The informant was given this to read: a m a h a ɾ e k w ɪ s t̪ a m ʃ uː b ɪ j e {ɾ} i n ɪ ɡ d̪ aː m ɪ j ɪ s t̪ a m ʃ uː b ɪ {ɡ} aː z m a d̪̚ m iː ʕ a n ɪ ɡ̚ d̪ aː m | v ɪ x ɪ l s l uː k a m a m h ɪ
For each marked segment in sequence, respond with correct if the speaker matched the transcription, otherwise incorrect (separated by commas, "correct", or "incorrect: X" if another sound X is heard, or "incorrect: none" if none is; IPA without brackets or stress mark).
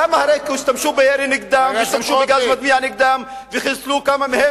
correct, correct